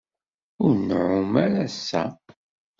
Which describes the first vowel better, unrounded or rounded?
rounded